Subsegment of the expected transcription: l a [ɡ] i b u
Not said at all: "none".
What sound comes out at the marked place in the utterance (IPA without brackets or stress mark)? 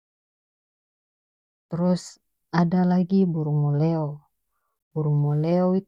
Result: ɡ